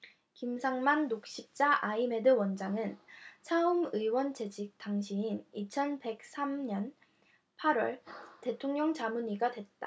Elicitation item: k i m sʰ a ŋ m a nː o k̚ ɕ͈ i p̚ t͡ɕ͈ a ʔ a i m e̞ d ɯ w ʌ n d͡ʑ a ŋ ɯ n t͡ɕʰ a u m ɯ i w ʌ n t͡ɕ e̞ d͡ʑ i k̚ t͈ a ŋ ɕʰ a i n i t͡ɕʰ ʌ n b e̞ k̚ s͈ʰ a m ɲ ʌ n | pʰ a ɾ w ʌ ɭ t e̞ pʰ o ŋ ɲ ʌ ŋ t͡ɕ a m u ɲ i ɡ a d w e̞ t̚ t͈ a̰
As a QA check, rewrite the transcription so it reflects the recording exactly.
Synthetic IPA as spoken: k i m sʰ a ŋ m a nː o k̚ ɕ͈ i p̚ t͡ɕ͈ a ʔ a i m e̞ d ɯ w ʌ n d͡ʑ a ŋ ɯ n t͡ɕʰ a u m ɯ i w ʌ n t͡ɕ e̞ d͡ʑ i k̚ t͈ a ŋ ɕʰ i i n i t͡ɕʰ ʌ n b e̞ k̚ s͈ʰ a m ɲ ʌ n | pʰ a ɾ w ʌ ɭ t e̞ tʰ o ŋ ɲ ʌ ŋ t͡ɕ a m u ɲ i ɡ a d w e̞ t̚ t͈ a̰